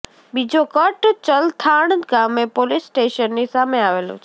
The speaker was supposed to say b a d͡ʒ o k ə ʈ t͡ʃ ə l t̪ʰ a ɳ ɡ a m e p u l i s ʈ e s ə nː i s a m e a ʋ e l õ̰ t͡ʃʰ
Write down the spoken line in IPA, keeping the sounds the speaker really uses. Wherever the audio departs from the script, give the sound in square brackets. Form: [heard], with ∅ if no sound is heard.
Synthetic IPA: b [i] d͡ʒ o k ə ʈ t͡ʃ ə l t̪ʰ a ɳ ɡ a m e p [o] l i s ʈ e [ʃ] ə nː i s a m e a ʋ e l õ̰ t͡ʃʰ